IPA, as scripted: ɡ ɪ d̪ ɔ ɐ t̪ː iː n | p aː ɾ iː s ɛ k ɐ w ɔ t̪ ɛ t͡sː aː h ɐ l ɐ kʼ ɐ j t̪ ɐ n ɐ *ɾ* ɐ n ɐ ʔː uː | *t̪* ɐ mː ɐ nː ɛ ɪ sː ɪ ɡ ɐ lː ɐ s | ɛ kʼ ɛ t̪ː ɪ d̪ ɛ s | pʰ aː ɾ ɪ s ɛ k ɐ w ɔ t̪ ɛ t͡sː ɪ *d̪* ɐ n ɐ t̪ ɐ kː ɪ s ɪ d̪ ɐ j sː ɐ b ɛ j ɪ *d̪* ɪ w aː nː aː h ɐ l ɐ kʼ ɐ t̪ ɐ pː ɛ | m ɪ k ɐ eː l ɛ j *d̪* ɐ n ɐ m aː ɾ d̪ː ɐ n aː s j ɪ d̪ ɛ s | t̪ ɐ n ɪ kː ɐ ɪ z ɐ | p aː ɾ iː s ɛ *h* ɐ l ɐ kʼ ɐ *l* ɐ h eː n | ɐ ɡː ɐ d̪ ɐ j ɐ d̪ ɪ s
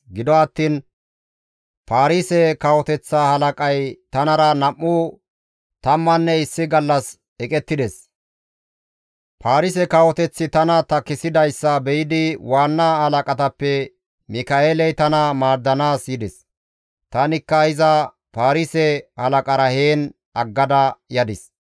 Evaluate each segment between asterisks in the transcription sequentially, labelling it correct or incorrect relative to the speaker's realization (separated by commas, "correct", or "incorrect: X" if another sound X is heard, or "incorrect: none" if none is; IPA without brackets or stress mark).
correct, correct, incorrect: t̪, correct, incorrect: t̪, correct, incorrect: ɾ